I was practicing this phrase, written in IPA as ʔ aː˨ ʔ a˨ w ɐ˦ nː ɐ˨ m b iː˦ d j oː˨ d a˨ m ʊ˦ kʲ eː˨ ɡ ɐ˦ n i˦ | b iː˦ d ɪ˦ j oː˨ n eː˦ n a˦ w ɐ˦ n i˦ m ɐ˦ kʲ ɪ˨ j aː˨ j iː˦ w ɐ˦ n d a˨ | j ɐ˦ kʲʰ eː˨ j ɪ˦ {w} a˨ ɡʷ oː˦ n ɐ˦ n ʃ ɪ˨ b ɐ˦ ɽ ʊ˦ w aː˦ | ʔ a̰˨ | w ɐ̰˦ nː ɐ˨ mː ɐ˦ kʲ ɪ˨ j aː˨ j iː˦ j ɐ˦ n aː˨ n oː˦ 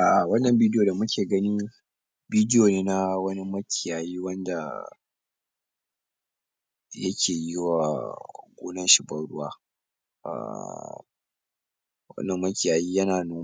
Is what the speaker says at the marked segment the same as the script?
yes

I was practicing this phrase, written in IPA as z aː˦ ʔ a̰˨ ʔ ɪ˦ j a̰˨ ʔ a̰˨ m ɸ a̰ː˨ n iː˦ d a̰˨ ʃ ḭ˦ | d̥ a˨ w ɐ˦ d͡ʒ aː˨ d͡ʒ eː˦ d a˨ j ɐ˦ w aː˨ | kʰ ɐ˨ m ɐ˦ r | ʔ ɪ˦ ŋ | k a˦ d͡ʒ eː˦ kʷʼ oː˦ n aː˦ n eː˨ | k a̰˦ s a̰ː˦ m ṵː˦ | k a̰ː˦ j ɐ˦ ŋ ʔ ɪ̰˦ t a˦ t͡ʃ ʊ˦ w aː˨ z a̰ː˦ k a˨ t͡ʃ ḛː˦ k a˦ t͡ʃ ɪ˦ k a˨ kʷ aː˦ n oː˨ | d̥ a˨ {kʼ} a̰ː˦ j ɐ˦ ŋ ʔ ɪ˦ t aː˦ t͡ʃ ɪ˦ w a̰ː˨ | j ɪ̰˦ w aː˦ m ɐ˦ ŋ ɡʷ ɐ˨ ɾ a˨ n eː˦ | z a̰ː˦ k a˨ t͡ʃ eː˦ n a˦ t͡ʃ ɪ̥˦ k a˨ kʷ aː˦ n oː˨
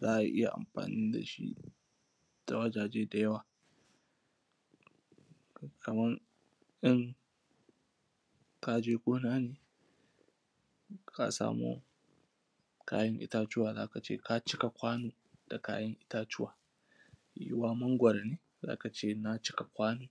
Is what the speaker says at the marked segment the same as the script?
no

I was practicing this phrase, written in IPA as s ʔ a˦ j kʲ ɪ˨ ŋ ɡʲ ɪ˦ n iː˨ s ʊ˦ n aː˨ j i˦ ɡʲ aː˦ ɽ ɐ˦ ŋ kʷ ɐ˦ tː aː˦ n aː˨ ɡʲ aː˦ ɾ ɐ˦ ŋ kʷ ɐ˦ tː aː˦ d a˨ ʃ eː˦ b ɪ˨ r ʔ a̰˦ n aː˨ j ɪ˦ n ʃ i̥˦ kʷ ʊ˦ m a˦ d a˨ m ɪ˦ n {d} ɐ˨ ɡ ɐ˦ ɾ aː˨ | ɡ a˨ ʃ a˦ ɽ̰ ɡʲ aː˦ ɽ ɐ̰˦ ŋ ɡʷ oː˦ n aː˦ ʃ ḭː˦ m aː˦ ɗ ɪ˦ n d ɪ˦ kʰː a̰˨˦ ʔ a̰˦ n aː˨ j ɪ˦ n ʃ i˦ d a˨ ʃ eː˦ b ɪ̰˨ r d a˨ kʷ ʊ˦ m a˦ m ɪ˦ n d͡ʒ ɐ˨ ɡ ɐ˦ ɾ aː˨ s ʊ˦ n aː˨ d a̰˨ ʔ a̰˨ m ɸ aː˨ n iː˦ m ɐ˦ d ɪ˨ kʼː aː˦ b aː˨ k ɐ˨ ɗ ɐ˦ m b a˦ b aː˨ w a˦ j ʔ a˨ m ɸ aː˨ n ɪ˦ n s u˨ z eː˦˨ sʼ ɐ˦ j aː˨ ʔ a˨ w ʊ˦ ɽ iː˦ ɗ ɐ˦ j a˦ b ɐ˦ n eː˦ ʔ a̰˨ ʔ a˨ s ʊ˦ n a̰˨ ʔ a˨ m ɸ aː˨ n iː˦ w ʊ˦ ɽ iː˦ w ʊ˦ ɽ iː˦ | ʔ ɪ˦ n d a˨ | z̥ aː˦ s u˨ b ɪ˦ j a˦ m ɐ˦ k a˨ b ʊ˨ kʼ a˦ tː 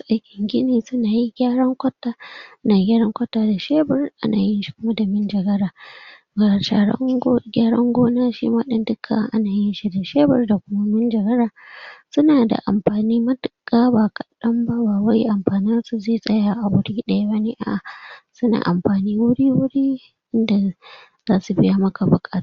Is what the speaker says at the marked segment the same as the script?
no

